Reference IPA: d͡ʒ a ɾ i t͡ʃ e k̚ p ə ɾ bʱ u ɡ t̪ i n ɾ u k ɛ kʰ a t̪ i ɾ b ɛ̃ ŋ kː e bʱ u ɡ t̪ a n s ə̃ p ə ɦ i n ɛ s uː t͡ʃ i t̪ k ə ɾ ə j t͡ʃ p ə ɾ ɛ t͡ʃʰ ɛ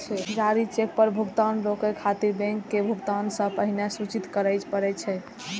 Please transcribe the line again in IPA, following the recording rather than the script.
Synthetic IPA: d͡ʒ a ɾ i t͡ʃ e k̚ p ə ɾ bʱ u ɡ t̪ a n ɾ o k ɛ kʰ a t̪ i ɾ b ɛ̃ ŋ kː e bʱ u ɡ t̪ a n s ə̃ p ə ɦ i n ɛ s u t͡ʃ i t̪ k ə ɾ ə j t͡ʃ p ə ɾ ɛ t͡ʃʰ ɛ